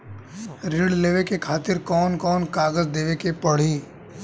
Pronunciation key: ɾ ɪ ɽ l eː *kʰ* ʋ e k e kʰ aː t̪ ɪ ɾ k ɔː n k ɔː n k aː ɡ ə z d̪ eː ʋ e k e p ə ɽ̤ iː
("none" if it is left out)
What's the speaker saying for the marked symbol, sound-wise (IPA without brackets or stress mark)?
none